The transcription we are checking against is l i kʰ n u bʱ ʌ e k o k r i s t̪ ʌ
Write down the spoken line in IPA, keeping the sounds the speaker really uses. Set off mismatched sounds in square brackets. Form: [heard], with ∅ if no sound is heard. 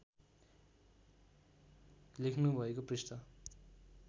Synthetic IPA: l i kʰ n u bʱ ʌ e k o [p] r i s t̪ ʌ

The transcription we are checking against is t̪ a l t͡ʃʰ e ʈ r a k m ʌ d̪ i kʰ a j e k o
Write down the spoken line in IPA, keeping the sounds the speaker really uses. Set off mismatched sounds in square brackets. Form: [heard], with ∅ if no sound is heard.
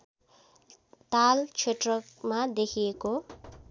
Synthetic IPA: t̪ a l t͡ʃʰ e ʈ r [ʌ] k m [a] d̪ [e] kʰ [i] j e k o

